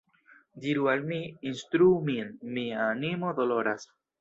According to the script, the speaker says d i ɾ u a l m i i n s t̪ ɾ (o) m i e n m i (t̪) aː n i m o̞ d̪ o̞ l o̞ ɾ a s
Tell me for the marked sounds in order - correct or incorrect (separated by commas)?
incorrect, incorrect